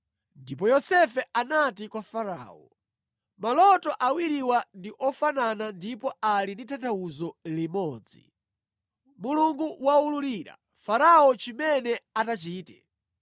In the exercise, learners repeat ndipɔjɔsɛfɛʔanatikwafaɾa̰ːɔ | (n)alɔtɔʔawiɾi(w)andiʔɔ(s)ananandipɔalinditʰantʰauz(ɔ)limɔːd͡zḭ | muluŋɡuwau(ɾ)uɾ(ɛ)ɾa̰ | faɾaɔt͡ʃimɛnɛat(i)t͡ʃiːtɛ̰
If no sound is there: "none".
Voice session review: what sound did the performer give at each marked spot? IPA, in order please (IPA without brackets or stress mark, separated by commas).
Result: m, w, f, ɔ, l, i, a